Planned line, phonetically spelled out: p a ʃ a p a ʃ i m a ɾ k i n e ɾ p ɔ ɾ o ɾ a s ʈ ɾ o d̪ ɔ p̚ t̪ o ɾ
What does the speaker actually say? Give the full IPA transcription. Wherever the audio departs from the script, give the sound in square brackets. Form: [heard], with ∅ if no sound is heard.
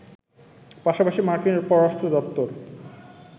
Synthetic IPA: p a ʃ a p a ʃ i m a ɾ k i n e ɾ p ɔ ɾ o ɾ a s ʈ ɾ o d̪ ɔ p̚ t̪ o ɾ